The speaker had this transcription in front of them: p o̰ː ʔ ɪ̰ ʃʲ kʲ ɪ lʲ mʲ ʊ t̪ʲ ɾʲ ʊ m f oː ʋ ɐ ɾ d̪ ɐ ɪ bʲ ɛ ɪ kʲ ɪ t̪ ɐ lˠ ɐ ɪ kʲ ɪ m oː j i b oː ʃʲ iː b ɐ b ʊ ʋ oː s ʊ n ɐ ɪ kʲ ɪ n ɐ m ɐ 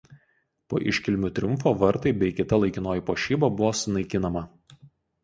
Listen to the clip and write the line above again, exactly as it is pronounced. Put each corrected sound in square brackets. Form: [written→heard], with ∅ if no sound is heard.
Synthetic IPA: p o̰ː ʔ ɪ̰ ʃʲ kʲ ɪ lʲ mʲ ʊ t̪ʲ ɾʲ ʊ m f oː ʋ ɐ ɾ [d̪→t̪] ɐ ɪ bʲ ɛ ɪ kʲ ɪ t̪ ɐ lˠ ɐ ɪ kʲ ɪ [m→n] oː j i [b→p] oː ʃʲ iː b ɐ b ʊ ʋ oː s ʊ n ɐ ɪ kʲ ɪ n ɐ m ɐ